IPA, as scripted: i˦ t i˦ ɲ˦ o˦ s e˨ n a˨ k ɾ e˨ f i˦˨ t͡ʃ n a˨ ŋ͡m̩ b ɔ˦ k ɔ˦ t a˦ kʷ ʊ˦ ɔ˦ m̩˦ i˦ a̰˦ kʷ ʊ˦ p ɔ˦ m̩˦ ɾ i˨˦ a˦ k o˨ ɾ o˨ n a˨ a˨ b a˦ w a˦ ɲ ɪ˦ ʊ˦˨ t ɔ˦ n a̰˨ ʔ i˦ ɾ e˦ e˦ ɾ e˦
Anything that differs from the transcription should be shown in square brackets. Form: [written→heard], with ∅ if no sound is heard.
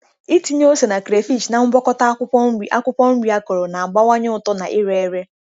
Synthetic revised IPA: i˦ t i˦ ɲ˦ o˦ s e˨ n a˨ k ɾ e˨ f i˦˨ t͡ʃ n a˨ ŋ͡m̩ b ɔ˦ k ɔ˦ t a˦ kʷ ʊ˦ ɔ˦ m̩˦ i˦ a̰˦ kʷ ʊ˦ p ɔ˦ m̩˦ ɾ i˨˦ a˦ k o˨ ɾ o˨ n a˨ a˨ [b→ɡ͡b] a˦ w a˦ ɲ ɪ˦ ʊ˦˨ t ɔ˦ n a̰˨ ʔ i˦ ɾ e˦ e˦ ɾ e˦